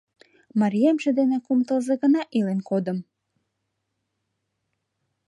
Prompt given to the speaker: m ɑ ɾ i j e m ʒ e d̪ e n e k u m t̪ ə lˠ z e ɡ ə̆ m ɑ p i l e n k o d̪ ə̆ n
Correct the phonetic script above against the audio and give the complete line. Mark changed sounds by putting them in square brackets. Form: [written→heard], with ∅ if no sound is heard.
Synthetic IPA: m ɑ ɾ i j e m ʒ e d̪ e n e k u m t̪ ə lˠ z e ɡ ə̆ [m→n] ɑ [p→ʔ] i l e n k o d̪ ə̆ [n→m]